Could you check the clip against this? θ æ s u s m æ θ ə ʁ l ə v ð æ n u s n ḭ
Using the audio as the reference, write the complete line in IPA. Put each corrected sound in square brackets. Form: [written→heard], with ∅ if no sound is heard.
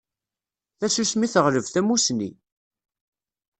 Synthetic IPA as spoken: θ æ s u s m [æ→i] θ ə ʁ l ə v [ð→θ] æ [n→m] u s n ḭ